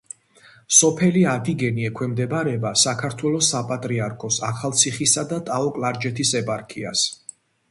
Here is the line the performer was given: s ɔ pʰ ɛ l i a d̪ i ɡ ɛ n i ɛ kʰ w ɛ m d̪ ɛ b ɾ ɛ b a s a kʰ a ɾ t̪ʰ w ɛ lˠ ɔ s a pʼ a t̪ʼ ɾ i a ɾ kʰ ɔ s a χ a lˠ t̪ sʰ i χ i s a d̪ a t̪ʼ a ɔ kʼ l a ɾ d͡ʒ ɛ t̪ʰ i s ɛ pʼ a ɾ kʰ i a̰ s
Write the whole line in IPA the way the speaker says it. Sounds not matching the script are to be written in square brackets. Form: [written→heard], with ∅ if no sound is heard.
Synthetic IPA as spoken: s ɔ pʰ ɛ l i a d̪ i ɡ ɛ n i ɛ kʰ w ɛ m d̪ ɛ b ɾ ɛ b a s a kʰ a ɾ t̪ʰ w ɛ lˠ ɔ s a pʼ a t̪ʼ ɾ i a ɾ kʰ ɔ s a χ a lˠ t̪ sʰ i χ i s a d̪ a t̪ʼ a ɔ kʼ l a ɾ d͡ʒ ɛ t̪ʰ i s ɛ pʼ a ɾ kʰ i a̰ s